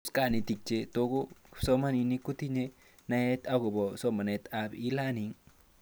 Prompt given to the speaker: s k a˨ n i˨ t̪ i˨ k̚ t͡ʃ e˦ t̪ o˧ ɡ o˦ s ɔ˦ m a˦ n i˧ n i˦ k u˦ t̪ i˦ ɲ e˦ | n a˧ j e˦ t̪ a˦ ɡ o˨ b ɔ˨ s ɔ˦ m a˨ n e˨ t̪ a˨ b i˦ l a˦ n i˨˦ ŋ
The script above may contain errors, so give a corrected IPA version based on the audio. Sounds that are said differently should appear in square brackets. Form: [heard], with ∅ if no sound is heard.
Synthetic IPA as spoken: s k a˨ n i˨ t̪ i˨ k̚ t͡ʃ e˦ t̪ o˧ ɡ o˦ s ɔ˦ m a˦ n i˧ n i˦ k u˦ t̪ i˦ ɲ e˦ | n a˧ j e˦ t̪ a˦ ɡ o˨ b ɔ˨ s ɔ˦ m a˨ n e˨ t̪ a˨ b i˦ l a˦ n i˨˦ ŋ